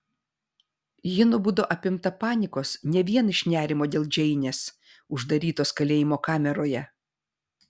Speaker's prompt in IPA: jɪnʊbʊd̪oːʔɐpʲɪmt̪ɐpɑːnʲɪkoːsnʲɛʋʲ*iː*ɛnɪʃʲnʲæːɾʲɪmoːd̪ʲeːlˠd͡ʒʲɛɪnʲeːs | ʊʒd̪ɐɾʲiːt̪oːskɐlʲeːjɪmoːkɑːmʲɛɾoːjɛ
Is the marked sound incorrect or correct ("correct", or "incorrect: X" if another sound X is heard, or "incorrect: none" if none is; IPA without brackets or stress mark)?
incorrect: i